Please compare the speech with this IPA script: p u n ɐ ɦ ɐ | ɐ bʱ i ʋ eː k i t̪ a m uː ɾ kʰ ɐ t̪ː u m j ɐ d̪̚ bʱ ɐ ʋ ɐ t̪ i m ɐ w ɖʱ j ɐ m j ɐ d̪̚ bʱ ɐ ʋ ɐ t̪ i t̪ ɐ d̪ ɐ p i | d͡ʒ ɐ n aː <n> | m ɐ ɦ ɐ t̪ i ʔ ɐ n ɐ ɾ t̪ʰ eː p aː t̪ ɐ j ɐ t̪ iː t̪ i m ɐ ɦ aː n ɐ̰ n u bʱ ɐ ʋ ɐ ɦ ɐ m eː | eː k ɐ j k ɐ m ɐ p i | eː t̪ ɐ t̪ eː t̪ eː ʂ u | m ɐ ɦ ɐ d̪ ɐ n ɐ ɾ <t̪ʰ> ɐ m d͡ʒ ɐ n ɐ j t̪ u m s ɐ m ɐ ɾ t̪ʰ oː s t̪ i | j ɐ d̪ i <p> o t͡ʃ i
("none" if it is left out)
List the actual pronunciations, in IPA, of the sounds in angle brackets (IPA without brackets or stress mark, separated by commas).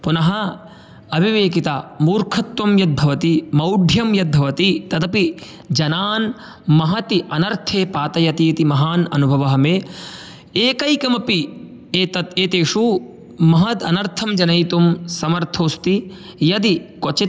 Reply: n, t̪ʰ, k